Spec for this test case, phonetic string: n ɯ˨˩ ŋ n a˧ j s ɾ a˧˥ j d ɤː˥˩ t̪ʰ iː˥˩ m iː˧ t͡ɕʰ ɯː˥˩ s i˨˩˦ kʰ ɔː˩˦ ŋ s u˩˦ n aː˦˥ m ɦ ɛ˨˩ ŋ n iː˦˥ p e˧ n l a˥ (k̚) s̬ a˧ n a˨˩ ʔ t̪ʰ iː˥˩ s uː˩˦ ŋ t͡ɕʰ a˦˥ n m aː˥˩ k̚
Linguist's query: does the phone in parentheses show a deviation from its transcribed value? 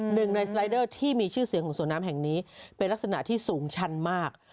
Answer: no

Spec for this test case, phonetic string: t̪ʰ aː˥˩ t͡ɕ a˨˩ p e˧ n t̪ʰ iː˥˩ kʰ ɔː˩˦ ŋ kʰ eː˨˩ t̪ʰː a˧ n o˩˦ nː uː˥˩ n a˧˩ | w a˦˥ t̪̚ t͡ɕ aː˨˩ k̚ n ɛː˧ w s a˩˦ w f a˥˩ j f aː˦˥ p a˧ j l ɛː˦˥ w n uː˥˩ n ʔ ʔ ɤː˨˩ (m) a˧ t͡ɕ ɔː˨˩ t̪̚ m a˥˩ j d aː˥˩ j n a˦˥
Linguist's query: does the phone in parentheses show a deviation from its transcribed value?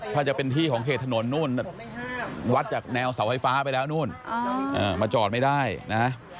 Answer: no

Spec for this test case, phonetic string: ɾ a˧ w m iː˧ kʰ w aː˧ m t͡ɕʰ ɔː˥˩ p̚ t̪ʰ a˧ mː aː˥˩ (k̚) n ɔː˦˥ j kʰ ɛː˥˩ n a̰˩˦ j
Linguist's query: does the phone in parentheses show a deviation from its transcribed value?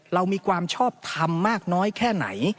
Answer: no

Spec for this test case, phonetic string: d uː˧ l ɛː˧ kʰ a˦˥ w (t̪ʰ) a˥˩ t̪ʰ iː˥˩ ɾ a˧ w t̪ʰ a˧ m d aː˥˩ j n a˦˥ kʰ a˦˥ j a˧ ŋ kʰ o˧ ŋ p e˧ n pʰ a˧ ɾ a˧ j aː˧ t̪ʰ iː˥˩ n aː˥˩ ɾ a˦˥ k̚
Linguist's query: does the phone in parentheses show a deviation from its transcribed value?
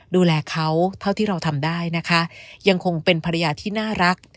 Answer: no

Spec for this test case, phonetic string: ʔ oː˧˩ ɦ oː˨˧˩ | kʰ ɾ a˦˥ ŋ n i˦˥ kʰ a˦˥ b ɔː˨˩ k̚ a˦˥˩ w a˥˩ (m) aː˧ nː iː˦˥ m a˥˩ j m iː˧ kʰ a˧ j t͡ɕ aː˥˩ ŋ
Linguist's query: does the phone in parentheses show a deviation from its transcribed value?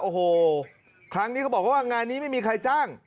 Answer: yes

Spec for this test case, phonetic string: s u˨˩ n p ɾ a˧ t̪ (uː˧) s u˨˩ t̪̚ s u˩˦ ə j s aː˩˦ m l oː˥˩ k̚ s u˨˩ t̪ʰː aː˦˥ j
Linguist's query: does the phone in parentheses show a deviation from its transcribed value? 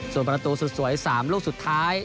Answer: no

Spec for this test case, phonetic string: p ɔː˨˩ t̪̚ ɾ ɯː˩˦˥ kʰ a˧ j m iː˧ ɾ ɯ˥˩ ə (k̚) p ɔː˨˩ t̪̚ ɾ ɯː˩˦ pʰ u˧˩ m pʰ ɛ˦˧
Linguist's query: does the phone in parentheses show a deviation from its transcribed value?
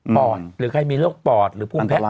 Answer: no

